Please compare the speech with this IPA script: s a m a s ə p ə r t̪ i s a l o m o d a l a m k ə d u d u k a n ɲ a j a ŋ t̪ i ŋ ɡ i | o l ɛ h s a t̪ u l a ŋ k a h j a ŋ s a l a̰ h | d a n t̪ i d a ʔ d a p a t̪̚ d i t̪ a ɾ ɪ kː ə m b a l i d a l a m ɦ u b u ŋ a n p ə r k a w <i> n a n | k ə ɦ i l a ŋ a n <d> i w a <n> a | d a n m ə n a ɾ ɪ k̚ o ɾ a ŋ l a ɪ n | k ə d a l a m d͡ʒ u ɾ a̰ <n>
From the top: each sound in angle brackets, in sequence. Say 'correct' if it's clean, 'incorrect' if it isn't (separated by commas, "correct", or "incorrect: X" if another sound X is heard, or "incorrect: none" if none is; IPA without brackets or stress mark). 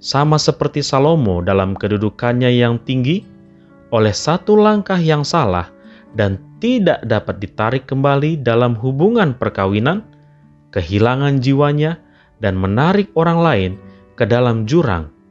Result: correct, incorrect: d͡ʒ, incorrect: ɲ, incorrect: ŋ